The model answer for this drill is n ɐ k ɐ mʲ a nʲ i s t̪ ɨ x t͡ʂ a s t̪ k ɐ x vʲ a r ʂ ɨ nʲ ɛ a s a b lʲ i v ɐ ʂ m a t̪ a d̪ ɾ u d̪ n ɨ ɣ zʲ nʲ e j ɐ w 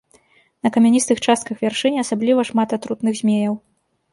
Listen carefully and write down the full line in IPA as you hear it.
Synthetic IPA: n ɐ k ɐ mʲ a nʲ i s t̪ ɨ x t͡ʂ a s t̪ k ɐ x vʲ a r ʂ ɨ nʲ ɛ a s a b lʲ i v ɐ ʂ m a t̪ a t̪ ɾ u t̪ n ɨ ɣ zʲ mʲ e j ɐ w